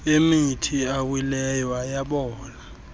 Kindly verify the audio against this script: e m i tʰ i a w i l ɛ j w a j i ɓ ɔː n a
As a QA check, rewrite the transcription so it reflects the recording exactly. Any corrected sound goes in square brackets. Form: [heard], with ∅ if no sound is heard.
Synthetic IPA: e m i tʰ i a w i l ɛ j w a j [a] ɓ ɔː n a